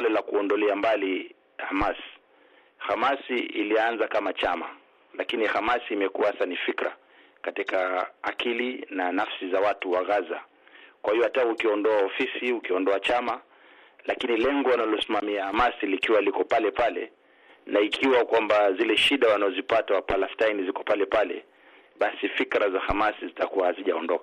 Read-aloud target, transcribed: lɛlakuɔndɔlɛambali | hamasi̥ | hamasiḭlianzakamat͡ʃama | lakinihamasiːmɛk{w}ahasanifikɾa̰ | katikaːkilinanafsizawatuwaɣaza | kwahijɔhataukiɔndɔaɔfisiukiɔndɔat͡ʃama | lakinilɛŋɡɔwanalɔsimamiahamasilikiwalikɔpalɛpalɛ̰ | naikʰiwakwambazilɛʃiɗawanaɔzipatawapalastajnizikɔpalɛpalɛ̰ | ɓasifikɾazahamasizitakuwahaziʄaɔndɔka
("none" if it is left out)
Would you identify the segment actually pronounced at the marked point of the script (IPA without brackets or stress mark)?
u